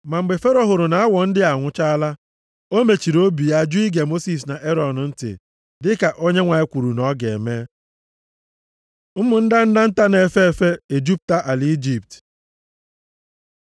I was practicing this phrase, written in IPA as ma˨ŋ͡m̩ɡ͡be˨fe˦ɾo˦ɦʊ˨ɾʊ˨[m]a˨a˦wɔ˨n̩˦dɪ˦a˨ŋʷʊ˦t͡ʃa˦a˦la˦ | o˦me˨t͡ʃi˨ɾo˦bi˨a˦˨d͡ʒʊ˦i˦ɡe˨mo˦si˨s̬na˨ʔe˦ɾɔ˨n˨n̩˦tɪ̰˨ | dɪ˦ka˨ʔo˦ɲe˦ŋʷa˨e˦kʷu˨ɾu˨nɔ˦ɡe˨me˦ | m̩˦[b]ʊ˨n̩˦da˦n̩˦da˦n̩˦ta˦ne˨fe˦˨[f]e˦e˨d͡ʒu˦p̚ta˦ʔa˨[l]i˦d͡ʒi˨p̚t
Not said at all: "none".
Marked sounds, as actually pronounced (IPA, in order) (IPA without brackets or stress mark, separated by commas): n, m, f, l